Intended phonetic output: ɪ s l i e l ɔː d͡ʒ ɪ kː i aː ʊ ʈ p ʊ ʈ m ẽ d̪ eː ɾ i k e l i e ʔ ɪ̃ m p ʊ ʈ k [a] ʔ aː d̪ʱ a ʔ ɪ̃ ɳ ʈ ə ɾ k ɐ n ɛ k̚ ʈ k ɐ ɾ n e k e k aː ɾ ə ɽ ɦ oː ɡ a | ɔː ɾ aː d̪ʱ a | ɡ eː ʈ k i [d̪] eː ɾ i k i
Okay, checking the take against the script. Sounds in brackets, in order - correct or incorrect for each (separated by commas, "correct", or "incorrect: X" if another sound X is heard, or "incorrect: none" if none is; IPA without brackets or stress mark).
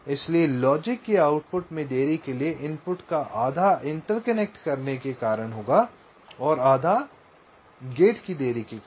correct, correct